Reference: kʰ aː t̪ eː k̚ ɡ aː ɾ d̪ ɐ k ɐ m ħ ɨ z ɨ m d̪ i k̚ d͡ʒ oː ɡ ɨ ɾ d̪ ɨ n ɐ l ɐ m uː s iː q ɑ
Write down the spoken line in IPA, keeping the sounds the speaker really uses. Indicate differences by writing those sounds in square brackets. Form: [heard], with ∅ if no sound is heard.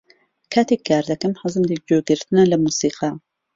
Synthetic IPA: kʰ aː t̪ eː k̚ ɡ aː ɾ d̪ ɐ k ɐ m ħ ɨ z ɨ m d̪ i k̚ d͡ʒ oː ɡ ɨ ɾ [t̪] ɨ n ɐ l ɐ m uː s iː q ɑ